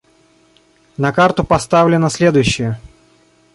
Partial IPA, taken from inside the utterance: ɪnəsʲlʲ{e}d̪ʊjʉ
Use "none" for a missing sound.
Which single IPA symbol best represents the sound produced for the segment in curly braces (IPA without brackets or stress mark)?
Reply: e